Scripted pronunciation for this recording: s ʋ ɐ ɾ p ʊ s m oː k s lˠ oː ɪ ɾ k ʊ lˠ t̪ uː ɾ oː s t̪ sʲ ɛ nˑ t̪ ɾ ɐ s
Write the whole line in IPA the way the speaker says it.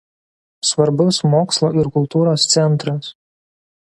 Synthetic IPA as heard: s ʋ ɐ ɾ b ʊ s m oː k s lˠ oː ɪ ɾ k ʊ lˠ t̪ uː ɾ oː s t̪ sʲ ɛ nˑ t̪ ɾ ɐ s

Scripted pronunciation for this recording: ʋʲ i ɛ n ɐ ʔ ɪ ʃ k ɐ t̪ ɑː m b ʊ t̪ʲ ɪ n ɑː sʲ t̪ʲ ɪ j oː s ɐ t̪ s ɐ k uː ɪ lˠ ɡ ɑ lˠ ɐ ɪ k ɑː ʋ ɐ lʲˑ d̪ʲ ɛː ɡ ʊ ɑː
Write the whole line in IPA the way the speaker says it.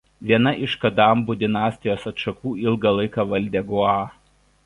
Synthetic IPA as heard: ʋʲ i ɛ n ɐ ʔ ɪ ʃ k ɐ d̪ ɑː m b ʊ d̪ʲ ɪ n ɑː sʲ t̪ʲ ɪ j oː s ɐ t̪ ʃ ɐ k uː ɪ lˠ ɡ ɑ lˠ ɐ ɪ k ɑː ʋ ɐ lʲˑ d̪ʲ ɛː ɡ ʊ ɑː

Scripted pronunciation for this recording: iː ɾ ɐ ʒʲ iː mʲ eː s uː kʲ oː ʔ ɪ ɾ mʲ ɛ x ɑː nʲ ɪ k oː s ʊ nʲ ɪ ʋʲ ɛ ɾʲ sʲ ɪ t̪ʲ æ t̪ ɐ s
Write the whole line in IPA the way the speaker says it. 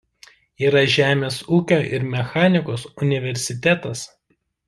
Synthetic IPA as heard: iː ɾ ɐ ʒʲ æː mʲ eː s uː kʲ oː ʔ ɪ ɾ mʲ ɛ x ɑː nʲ ɪ k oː s ʊ nʲ ɪ ʋʲ ɛ ɾʲ sʲ ɪ t̪ʲ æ t̪ ɐ s

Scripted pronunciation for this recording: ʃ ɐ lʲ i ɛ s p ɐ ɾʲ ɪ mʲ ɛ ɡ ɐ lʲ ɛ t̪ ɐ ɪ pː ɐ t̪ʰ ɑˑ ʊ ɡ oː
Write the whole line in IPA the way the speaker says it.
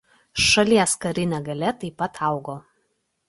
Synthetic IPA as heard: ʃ ɐ lʲ i ɛ s k ɐ ɾʲ ɪ nʲ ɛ ɡ ɐ lʲ ɛ t̪ ɐ ɪ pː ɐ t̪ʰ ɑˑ ʊ ɡ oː

